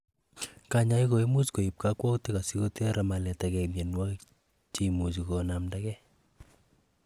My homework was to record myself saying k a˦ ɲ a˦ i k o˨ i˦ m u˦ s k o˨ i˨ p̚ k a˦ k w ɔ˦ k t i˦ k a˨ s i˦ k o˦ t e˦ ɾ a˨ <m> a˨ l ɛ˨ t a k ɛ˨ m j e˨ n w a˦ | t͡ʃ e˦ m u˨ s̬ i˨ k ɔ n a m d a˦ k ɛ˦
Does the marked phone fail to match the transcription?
no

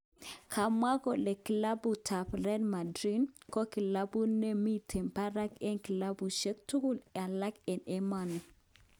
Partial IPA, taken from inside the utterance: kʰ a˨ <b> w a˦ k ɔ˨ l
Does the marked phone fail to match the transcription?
yes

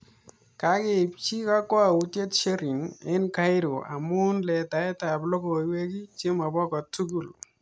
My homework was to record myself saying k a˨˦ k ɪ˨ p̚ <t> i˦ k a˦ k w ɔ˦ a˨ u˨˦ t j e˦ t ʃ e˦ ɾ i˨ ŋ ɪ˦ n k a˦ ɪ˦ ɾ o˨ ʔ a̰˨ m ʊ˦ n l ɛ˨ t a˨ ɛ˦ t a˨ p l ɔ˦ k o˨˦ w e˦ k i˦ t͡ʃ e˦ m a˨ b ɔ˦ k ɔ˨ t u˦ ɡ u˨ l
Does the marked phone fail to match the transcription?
yes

